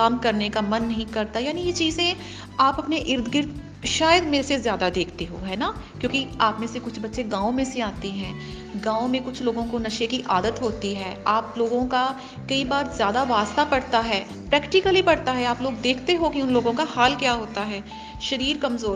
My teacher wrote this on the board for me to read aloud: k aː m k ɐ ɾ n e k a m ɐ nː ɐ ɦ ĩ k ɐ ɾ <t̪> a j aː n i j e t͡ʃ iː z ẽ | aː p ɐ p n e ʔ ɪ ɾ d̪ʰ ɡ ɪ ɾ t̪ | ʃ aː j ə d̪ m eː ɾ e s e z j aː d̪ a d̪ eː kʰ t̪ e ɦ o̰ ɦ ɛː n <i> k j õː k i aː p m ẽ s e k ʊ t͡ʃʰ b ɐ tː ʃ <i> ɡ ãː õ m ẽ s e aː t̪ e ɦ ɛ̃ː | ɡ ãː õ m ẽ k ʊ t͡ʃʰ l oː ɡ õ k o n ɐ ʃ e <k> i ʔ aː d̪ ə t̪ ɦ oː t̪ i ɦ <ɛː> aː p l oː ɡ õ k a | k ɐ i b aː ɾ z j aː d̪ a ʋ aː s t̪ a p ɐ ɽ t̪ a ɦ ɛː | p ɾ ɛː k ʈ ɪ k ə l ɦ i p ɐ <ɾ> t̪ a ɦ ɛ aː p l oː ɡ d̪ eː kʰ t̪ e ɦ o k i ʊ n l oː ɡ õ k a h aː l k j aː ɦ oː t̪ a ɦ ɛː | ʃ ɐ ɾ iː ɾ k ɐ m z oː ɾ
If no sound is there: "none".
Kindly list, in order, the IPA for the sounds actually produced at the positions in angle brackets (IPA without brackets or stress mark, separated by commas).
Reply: t̪, a, e, k, ɛː, ɽ